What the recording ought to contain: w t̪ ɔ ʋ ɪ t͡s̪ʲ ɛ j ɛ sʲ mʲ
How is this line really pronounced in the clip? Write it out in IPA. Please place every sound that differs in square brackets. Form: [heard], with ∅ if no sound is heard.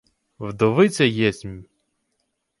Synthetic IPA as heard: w [d̪] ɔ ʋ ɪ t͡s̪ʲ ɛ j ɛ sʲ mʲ